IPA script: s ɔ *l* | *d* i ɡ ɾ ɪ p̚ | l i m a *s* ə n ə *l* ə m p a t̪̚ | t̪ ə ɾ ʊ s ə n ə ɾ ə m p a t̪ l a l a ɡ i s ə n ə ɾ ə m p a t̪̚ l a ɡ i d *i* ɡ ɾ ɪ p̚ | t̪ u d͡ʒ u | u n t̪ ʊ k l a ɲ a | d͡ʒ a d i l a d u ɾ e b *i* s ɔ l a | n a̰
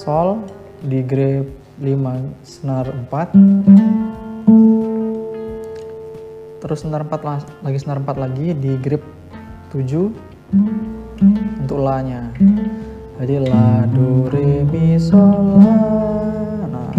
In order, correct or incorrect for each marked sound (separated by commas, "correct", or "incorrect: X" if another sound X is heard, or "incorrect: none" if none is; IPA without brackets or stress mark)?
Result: correct, correct, correct, incorrect: r, correct, correct